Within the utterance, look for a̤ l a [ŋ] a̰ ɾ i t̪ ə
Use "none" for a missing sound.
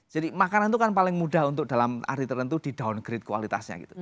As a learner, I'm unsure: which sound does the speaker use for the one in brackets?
m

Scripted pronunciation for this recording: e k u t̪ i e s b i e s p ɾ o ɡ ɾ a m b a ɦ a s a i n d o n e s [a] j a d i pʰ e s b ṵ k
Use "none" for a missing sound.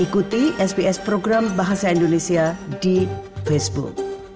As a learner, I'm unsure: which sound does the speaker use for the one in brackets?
i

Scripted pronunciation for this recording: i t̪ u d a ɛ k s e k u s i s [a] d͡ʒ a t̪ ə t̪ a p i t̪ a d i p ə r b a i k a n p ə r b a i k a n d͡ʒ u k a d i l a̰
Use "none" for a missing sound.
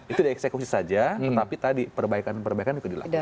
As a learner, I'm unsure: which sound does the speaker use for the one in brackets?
a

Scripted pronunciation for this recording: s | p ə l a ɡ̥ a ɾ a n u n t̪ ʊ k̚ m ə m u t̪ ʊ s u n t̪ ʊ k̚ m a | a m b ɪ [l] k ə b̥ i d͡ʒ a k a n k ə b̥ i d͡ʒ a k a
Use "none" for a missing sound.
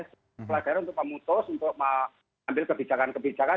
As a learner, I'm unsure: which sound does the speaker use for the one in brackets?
l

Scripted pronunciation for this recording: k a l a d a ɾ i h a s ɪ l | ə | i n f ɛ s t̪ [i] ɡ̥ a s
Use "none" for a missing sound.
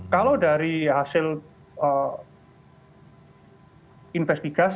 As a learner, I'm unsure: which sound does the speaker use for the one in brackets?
i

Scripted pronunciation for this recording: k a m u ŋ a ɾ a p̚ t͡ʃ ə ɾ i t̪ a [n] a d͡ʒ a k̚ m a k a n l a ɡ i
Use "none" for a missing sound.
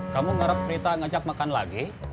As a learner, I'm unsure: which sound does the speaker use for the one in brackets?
ŋ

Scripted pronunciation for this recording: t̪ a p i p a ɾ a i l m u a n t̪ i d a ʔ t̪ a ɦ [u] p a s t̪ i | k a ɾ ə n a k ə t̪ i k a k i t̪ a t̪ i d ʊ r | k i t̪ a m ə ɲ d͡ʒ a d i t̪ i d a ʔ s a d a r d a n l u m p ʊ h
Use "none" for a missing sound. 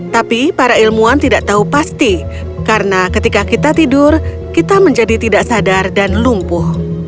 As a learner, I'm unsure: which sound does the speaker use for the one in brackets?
u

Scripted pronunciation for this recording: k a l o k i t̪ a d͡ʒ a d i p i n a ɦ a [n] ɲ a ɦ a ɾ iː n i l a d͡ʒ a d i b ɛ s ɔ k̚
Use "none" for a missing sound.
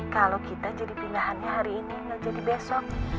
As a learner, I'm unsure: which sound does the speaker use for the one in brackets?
n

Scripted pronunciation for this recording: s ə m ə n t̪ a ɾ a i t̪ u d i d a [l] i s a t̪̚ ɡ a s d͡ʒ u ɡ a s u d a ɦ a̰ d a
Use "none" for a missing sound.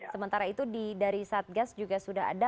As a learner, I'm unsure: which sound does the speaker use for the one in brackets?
ɾ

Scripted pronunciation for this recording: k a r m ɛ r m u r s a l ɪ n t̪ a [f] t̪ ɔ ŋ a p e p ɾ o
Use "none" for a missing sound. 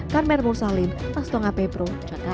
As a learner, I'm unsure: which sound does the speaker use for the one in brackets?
s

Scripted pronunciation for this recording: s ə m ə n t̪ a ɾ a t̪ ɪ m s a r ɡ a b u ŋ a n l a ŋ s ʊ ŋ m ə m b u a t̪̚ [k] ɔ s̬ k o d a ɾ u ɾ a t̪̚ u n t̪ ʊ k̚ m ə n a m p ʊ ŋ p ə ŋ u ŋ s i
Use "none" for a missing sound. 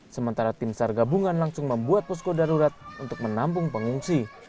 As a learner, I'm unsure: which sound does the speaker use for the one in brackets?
p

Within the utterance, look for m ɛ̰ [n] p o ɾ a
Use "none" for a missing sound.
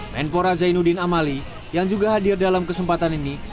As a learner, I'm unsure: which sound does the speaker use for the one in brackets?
n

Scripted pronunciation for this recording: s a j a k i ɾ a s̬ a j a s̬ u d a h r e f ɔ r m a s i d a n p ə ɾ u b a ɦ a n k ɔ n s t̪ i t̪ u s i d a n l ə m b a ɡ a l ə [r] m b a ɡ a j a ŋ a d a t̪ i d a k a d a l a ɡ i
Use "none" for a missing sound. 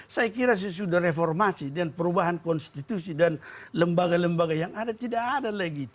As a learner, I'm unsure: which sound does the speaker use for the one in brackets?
none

